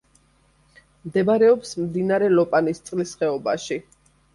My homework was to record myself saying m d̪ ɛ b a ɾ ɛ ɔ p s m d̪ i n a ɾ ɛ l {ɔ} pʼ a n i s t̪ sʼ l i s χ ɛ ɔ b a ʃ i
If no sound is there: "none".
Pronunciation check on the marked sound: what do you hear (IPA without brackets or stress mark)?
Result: ɔ